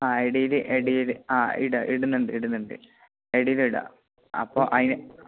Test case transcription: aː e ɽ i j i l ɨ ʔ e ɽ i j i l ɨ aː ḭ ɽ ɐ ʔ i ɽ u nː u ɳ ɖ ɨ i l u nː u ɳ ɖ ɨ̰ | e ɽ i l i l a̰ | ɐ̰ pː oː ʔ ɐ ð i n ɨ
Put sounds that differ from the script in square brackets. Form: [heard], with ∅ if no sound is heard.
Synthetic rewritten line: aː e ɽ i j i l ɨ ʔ e ɽ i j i l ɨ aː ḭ ɽ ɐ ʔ i ɽ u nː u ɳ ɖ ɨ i [ɽ] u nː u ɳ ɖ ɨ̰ | e ɽ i l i [ɽ] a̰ | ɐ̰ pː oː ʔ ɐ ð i n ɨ

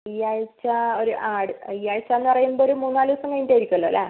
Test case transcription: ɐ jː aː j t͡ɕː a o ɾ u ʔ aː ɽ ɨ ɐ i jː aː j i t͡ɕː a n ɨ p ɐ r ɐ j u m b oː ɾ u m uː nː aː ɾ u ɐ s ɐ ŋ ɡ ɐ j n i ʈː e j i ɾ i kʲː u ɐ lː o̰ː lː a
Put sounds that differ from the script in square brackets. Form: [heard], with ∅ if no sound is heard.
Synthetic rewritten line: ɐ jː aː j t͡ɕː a o ɾ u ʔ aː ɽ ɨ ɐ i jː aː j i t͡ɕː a [nː] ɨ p ɐ r ɐ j u m b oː ɾ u m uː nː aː [l] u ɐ s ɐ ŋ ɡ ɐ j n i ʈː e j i ɾ i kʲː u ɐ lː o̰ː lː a

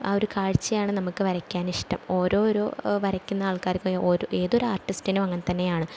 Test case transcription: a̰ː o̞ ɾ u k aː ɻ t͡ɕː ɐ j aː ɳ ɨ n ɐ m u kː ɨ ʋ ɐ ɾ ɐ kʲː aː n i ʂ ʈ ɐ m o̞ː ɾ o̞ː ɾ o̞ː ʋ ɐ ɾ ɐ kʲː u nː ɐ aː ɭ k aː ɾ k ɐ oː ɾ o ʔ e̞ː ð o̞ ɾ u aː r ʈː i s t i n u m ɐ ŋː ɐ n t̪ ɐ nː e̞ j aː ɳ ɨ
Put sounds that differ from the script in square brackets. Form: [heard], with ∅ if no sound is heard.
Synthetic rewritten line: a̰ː o̞ ɾ u k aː ɻ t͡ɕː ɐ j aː ɳ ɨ n ɐ m u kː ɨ ʋ ɐ ɾ ɐ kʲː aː n i ʂ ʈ ɐ m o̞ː ɾ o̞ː ɾ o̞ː ʋ ɐ ɾ ɐ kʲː u nː ɐ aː ɭ k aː ɾ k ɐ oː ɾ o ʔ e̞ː ð o̞ ɾ u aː r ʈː i s t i n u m ɐ ŋː ɐ n t̪ ɐ nː e̞ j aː ɳ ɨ

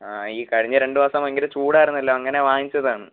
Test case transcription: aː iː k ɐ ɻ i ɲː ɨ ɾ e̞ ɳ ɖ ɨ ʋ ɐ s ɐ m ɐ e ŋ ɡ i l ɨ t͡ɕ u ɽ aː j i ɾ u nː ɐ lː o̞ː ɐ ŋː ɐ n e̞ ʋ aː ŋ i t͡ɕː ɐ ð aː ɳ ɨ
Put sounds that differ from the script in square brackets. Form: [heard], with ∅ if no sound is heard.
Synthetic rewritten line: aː iː k ɐ ɻ i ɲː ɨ ɾ e̞ ɳ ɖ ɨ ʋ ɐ s ɐ m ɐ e ŋ ɡ i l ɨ t͡ɕ [uː] ɽ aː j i ɾ u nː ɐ lː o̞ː ɐ ŋː ɐ n e̞ ʋ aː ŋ i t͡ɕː ɐ ð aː ɳ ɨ

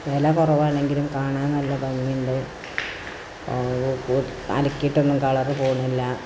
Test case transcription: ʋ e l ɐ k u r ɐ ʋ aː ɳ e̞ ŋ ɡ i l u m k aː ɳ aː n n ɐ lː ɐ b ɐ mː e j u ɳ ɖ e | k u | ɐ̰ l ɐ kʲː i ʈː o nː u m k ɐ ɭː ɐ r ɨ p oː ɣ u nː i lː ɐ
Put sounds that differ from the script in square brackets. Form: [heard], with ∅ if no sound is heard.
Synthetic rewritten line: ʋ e l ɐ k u r ɐ ʋ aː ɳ e̞ ŋ ɡ i l u m k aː ɳ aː n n ɐ lː ɐ b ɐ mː [i] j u ɳ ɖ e | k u | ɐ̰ l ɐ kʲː i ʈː o nː u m k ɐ [ɭ] ɐ r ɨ p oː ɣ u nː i lː ɐ

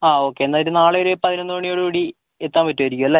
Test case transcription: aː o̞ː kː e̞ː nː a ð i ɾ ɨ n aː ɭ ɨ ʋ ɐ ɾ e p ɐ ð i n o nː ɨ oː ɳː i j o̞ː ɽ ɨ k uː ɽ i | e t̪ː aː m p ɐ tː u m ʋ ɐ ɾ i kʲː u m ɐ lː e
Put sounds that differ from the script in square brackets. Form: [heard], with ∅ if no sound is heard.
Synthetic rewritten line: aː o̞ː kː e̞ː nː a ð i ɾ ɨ n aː ɭ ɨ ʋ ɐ ɾ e p ɐ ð i n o nː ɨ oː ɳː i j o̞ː ɽ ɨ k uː ɽ i | e t̪ː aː m p ɐ tː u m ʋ ɐ ɾ i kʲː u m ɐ lː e

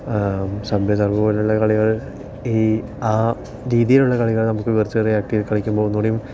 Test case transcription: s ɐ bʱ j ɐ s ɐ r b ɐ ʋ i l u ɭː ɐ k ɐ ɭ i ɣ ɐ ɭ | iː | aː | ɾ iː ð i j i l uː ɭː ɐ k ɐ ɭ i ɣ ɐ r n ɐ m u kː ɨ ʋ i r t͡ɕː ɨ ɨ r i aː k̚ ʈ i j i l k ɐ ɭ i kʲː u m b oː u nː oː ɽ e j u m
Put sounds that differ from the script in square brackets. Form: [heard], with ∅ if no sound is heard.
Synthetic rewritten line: s ɐ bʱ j ɐ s ɐ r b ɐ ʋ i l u ɭː ɐ k ɐ ɭ i ɣ ɐ ɭ | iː | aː | ɾ iː ð i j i l [u] ɭː ɐ k ɐ ɭ i ɣ ɐ [ɭ] n ɐ m u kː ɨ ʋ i r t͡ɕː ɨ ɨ r i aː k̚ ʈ i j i l k ɐ ɭ i kʲː u m b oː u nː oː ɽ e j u m

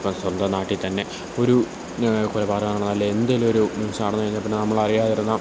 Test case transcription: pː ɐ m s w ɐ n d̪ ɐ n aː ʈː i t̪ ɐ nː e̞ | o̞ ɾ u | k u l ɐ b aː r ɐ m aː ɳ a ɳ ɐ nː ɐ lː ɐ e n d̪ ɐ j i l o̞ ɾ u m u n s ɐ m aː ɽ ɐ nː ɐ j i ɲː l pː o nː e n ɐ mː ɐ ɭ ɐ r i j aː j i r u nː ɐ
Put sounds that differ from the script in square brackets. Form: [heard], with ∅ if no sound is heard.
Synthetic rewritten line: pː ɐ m s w ɐ n d̪ ɐ n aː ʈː i t̪ ɐ nː e̞ | o̞ ɾ u | k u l ɐ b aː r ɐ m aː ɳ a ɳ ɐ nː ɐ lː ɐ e n d̪ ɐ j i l o̞ ɾ u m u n s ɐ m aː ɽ ɐ nː ɐ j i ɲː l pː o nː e n ɐ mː ɐ ɭ ɐ r i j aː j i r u nː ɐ

